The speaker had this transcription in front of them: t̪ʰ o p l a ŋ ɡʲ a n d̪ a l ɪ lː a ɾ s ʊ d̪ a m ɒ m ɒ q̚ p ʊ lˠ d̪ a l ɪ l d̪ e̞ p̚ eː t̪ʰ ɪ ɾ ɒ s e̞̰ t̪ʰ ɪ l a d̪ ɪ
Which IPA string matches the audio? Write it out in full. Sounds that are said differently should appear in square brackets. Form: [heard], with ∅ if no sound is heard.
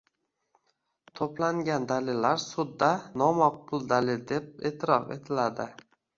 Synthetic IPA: t̪ʰ o p l a ŋ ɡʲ a n d̪ a l ɪ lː a ɾ s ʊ [d̪ː] a [n] ɒ m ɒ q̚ p ʊ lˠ d̪ a l ɪ l d̪ e̞ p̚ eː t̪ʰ ɪ ɾ ɒ [f] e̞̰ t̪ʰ ɪ l a d̪ ɪ